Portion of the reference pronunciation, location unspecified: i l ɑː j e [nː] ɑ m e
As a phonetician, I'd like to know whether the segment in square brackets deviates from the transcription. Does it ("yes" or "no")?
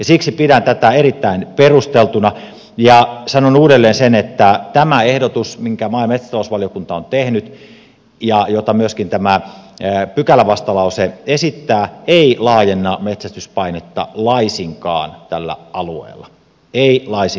no